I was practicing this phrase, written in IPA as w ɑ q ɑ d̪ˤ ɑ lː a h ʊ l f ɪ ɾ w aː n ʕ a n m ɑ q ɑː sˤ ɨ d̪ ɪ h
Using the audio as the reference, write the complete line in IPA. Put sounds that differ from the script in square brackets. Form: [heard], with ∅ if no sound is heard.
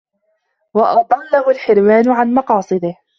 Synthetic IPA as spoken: w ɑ [ʔ] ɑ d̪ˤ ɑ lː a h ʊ l [ħ] ɪ ɾ w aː n ʕ a n m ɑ q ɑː sˤ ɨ d̪ ɪ h